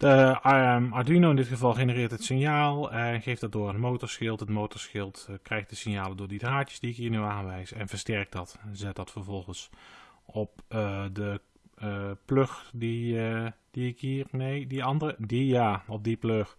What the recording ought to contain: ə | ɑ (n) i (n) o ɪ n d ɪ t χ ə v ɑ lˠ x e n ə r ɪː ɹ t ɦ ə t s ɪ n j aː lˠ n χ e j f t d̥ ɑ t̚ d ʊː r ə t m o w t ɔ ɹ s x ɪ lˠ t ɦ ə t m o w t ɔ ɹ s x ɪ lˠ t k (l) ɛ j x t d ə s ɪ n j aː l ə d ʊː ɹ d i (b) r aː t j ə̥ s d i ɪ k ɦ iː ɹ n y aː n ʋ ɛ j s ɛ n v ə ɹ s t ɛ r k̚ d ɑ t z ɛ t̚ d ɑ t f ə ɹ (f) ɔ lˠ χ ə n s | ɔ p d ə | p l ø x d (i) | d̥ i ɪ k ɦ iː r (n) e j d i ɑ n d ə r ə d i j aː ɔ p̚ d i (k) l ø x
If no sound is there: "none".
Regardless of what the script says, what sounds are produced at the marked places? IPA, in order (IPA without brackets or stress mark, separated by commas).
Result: d, n, r, d, v, i, n, p